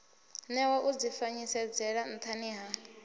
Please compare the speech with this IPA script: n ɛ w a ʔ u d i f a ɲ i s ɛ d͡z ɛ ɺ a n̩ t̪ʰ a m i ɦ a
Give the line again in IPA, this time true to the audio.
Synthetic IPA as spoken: n ɛ w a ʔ u d͡z i f a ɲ i s ɛ d͡z ɛ ɺ a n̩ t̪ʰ a n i ɦ a